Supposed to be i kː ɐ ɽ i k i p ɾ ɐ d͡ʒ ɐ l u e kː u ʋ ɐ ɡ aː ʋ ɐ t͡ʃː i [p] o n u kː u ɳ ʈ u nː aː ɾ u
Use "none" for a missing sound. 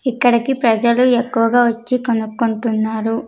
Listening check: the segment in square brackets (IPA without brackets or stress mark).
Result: k